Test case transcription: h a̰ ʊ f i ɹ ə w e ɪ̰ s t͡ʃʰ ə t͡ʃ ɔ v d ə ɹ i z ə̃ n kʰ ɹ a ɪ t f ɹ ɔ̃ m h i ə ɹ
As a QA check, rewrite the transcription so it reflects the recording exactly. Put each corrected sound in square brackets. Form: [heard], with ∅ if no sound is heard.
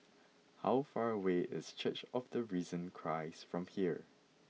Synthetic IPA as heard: h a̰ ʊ f [a] ɹ ə w e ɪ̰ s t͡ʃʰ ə t͡ʃ ɔ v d ə ɹ i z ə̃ n kʰ ɹ a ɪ [s] f ɹ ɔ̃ m h i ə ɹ